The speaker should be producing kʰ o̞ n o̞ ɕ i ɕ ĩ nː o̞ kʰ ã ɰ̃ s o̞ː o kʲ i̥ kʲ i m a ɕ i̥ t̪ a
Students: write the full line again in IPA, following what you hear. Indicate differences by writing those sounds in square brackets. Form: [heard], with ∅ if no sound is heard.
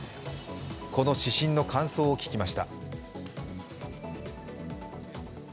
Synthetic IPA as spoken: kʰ o̞ n o̞ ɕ i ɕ ĩ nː o̞ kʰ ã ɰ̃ s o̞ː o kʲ i̥ kʲ i m a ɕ i̥ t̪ a